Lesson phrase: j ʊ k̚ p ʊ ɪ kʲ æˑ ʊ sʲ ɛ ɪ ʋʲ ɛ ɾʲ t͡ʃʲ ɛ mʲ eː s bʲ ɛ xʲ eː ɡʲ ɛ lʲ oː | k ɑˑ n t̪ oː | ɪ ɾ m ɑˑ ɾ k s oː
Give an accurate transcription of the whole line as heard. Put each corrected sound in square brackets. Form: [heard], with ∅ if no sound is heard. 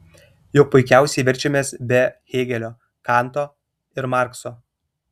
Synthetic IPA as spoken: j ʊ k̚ p ʊ ɪ kʲ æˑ ʊ sʲ ɛ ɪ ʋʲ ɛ ɾʲ t͡ʃʲ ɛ mʲ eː s bʲ ɛ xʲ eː ɡʲ ɛ lʲ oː | k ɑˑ n t̪ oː | ɪ ɾ m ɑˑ ɾ k s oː